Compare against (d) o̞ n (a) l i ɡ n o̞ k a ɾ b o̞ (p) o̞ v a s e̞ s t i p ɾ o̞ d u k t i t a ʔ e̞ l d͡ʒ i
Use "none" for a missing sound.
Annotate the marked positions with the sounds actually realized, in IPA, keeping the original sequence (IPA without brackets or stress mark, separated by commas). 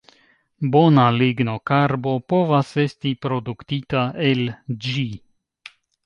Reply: b, a, p